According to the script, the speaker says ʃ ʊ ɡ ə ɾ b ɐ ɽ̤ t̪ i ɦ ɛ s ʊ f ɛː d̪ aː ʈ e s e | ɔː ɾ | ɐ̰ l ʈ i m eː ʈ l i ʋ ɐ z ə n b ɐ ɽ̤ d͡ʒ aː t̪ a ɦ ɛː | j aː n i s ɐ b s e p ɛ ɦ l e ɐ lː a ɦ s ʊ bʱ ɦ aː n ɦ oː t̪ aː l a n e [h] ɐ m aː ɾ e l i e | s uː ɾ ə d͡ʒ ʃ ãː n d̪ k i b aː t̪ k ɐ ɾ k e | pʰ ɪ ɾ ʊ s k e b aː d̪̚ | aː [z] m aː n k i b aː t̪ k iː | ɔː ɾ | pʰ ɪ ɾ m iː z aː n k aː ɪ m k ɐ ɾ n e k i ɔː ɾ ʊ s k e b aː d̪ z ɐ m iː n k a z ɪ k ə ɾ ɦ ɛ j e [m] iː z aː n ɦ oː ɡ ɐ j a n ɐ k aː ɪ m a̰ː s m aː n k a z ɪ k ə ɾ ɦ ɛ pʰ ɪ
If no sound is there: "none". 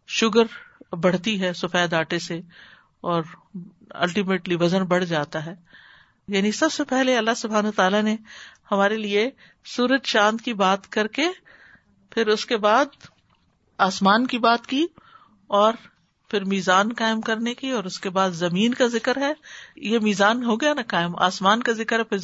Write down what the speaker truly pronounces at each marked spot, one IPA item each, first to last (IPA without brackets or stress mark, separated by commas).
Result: h, s, m